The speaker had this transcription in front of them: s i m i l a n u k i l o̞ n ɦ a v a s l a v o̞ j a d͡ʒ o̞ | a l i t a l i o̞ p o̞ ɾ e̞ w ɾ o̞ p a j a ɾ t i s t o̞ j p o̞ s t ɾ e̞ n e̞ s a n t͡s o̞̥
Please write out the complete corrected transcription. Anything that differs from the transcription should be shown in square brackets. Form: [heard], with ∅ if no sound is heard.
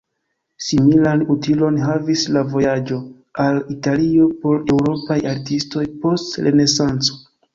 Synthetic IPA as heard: s i m i l a n u [t] i l o̞ n ɦ a v [i] s l a v o̞ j a d͡ʒ o̞ | a l i t a l i o̞ p o̞ ɾ e̞ w ɾ o̞ p a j a ɾ t i s t o̞ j p o̞ s t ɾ e̞ n e̞ s a n t͡s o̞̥

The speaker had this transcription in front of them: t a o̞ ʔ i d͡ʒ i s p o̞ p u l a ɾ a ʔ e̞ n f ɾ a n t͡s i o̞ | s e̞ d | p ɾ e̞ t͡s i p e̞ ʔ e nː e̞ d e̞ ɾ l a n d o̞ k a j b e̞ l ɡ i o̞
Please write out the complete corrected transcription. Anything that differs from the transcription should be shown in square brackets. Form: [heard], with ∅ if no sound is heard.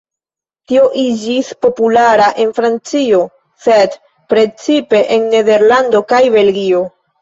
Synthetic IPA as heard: t [i] o̞ ʔ i d͡ʒ i s p o̞ p u l a ɾ a ʔ e̞ n f ɾ a n t͡s i o̞ | s e̞ d | p ɾ e̞ t͡s i p e̞ ʔ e nː e̞ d e̞ ɾ l a n d o̞ k a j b e̞ l ɡ i o̞

